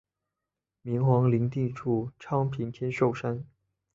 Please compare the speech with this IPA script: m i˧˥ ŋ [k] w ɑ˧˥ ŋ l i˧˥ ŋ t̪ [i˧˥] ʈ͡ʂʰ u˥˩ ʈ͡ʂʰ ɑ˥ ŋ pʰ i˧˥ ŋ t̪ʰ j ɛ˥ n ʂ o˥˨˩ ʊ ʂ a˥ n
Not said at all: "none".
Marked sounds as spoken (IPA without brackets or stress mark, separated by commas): x, i˥˧